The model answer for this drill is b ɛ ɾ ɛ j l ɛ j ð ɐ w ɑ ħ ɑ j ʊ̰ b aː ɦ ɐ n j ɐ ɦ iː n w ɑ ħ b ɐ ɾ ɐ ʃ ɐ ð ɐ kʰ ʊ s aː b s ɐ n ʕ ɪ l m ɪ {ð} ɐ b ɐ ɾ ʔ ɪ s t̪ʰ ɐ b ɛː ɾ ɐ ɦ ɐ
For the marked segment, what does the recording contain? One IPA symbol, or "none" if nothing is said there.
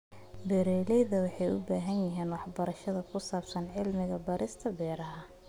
ɣ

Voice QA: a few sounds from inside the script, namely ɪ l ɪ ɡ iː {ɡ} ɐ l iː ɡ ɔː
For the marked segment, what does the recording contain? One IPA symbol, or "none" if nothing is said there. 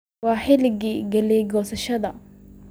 ɡ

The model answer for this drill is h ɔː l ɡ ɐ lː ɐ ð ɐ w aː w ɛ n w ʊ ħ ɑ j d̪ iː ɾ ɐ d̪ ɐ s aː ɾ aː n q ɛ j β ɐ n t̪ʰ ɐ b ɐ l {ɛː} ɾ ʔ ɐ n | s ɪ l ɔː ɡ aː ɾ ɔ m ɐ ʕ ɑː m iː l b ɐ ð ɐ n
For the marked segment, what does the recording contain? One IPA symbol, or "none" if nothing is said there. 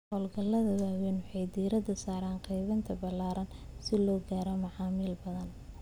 aː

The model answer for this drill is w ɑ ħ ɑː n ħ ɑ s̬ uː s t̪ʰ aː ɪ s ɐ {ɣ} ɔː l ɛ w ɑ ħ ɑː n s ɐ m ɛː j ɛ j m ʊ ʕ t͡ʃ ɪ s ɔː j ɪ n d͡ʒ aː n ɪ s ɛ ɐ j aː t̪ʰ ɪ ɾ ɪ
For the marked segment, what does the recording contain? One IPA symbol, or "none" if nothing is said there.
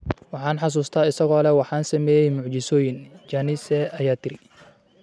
ɣ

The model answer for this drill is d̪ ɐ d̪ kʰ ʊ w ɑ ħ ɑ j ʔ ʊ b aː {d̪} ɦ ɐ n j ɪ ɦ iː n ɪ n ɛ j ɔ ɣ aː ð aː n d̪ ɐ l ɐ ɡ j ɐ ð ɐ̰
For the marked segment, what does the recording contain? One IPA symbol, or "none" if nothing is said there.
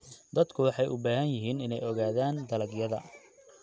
none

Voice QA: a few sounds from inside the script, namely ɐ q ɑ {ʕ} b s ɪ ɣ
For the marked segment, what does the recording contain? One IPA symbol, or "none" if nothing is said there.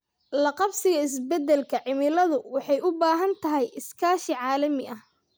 none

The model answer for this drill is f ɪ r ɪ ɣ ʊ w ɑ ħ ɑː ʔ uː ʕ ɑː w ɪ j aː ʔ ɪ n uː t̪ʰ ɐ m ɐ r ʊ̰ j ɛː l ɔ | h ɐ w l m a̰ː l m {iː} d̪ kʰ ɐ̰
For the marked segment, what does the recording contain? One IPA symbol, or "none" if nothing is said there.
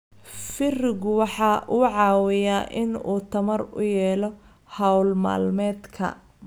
ɛː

